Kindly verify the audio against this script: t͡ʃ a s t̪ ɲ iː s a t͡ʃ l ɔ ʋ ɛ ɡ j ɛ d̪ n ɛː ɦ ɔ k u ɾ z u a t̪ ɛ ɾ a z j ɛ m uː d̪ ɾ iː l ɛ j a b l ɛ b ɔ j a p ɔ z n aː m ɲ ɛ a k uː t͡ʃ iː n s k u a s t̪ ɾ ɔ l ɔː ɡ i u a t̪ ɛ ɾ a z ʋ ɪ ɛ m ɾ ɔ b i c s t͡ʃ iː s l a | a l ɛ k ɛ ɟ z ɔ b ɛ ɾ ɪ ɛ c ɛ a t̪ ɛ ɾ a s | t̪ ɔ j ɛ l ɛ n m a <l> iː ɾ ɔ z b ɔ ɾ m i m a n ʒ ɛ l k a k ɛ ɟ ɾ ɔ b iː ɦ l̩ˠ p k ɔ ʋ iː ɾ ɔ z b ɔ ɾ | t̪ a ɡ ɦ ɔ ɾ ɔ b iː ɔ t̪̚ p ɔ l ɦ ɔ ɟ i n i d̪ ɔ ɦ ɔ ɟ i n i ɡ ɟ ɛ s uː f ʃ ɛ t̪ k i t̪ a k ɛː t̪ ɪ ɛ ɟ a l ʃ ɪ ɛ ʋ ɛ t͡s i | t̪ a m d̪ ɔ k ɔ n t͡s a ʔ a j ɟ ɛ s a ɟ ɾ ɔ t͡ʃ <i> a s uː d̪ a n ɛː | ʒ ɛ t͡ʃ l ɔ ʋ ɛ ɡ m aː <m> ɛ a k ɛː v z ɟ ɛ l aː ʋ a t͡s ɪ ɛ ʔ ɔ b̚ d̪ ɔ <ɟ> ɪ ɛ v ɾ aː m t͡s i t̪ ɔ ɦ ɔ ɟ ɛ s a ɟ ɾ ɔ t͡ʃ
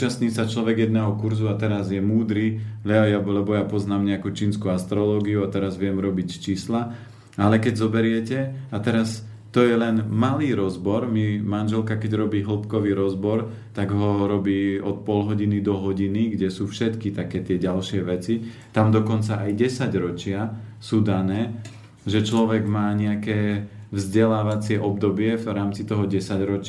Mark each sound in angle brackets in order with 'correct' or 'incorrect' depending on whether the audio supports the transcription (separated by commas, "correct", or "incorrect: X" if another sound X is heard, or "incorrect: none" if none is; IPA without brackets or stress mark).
correct, incorrect: ɪ, incorrect: ɲ, incorrect: b